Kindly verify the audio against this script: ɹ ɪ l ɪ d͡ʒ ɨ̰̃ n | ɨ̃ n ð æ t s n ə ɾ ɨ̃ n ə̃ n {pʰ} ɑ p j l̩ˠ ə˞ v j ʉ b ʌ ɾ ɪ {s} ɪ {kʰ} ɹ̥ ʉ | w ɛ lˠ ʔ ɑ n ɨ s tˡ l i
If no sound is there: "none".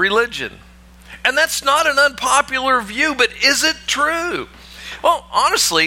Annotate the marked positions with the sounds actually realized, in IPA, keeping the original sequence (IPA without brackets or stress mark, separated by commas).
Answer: pʰ, z, tʰ